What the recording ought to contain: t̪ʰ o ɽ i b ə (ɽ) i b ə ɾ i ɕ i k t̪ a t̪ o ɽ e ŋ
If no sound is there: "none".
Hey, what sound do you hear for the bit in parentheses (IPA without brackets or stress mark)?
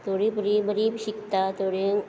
ɾ